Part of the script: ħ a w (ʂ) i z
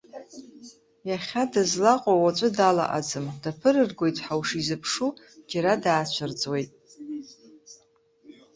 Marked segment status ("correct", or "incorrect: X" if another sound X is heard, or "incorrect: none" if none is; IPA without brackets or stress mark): correct